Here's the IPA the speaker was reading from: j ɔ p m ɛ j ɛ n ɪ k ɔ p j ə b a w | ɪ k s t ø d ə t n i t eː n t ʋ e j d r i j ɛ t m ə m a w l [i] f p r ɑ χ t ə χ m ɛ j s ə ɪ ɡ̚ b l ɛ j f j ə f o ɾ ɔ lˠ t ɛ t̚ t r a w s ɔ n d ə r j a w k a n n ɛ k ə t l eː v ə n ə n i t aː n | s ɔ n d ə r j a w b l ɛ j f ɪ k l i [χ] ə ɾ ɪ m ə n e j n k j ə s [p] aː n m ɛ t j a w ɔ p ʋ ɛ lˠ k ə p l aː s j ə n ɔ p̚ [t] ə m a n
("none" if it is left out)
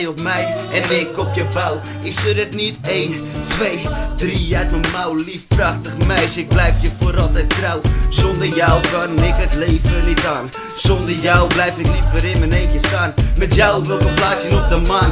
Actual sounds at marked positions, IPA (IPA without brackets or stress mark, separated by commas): i, f, t, d